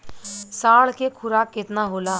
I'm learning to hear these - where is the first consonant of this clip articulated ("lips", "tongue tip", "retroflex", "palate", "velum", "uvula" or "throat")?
tongue tip